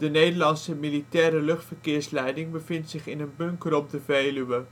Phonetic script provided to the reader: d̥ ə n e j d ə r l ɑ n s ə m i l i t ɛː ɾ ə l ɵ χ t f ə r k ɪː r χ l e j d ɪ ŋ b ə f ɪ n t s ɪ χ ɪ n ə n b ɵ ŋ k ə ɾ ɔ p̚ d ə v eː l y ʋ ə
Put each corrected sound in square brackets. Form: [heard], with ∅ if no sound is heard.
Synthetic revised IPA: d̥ ə n e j d ə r l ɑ n s ə m i l i t ɛː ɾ ə l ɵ χ t f ə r k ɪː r [s] l [ɛ] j d ɪ ŋ b ə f ɪ n t s ɪ χ ɪ n ə n b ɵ ŋ k ə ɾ ɔ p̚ d ə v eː l y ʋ ə